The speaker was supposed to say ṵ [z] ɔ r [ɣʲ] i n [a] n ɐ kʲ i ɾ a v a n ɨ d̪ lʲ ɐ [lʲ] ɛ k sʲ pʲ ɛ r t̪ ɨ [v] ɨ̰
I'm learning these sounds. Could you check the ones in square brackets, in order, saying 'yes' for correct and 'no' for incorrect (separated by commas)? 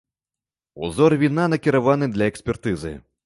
yes, no, yes, no, no